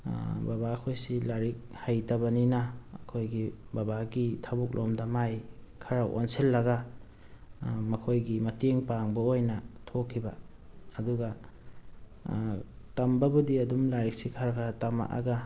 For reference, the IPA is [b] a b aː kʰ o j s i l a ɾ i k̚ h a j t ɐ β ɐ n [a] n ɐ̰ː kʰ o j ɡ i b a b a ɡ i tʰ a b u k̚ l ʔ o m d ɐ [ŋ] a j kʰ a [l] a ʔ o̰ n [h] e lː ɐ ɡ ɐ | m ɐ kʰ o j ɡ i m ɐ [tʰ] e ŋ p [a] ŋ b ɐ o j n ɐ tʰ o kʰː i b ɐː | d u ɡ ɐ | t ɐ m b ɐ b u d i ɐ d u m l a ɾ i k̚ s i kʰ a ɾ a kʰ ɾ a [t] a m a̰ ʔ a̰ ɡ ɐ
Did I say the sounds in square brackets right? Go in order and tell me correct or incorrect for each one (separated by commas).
correct, incorrect, incorrect, incorrect, incorrect, incorrect, correct, correct